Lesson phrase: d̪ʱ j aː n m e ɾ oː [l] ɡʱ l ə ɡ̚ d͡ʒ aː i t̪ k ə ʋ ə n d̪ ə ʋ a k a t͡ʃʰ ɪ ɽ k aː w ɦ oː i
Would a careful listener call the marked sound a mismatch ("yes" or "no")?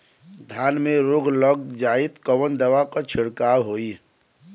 yes